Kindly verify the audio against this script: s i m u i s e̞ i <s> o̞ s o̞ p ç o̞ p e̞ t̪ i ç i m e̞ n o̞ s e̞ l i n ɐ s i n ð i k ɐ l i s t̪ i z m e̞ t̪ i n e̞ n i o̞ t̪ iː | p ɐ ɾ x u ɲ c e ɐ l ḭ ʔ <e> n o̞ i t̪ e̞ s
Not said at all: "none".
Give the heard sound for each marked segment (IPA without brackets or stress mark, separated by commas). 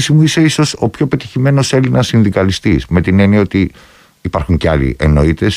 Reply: s, e